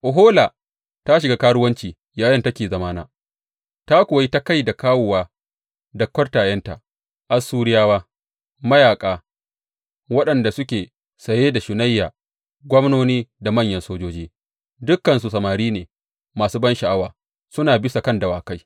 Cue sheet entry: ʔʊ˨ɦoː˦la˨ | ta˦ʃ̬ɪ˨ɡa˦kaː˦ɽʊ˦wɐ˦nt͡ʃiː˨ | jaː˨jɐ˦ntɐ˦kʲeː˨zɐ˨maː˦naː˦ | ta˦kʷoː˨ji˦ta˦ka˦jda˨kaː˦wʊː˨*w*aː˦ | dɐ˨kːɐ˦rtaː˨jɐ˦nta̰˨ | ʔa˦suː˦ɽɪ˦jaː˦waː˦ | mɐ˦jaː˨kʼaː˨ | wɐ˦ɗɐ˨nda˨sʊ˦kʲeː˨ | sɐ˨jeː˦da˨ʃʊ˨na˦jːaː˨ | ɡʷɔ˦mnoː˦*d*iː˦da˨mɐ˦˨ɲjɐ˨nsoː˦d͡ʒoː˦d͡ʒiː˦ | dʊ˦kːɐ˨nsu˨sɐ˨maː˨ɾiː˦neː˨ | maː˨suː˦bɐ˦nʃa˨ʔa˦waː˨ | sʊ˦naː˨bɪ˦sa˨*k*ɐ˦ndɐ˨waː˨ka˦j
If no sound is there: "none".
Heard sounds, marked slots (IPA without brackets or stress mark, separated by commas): w, n, k